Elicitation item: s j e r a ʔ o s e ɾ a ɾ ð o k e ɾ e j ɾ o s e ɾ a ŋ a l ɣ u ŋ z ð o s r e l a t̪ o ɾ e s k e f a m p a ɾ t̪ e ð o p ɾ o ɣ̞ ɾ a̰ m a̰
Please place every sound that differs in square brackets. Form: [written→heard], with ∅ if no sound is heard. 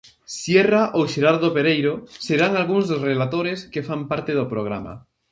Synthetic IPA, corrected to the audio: s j e r a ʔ o [s→ʃ] e ɾ a ɾ ð o [k→p] e ɾ e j ɾ o s e ɾ a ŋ a l ɣ u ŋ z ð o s r e l a t̪ o ɾ e s k e f a m p a ɾ t̪ e ð o p ɾ o ɣ̞ ɾ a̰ m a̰